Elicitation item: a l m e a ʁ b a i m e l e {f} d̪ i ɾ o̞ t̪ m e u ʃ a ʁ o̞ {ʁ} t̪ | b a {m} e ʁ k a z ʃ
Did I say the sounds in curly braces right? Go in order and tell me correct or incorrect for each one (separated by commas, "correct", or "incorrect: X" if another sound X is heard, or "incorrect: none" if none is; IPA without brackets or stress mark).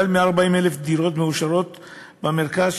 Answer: correct, incorrect: none, correct